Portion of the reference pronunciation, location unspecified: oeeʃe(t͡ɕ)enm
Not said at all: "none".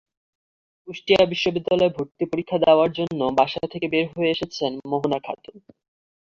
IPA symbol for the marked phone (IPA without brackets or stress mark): t͡ɕʰ